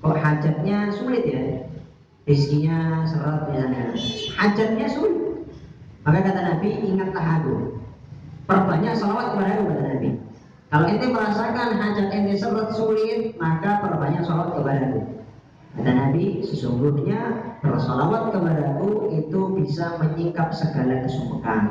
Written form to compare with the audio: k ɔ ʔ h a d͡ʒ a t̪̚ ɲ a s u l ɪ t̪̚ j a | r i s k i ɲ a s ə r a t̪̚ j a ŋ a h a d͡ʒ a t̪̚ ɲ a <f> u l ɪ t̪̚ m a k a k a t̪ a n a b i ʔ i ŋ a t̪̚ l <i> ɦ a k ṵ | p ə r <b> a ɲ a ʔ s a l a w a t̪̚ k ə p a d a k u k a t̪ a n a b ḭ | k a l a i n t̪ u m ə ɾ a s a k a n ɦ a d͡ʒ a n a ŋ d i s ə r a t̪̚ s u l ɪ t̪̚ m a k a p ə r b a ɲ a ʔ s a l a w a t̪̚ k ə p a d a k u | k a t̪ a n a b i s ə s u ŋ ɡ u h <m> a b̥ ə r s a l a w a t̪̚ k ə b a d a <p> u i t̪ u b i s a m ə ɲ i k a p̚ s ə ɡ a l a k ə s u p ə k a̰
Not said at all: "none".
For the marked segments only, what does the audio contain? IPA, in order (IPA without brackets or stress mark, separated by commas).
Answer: s, a, b, ɲ, k